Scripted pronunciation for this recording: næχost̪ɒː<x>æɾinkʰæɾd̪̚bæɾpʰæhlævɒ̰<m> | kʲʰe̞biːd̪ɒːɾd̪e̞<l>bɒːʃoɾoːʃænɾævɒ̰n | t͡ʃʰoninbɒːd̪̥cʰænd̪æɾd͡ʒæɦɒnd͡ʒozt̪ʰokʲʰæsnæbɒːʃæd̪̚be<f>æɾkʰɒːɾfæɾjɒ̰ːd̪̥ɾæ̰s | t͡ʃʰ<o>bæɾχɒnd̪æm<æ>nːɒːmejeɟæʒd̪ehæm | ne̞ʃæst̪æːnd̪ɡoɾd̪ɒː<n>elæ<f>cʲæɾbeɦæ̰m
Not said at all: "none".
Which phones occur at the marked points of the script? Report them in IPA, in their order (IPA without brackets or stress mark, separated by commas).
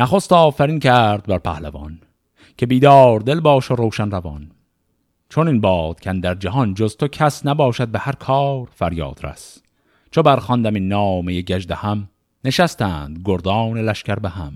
f, n, l, h, o, i, n, ʃ